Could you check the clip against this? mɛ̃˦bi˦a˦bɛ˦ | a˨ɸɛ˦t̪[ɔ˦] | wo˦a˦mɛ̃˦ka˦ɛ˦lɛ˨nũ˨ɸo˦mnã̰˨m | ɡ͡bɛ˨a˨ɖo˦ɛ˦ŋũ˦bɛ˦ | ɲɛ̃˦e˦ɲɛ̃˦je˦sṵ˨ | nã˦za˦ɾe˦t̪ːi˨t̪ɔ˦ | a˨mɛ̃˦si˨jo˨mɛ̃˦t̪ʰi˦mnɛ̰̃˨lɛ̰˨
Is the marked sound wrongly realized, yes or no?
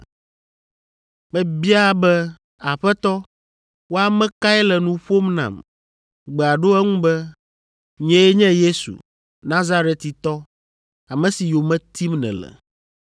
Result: no